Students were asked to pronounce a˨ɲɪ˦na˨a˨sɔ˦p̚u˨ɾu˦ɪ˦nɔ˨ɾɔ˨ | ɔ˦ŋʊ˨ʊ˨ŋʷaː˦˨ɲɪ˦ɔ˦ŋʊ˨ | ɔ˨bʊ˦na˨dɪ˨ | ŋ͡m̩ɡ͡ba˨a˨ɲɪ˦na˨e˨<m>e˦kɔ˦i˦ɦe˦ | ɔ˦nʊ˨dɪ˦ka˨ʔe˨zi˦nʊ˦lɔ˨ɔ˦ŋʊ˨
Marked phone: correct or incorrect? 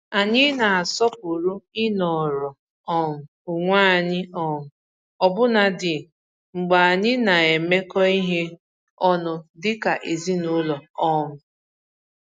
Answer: correct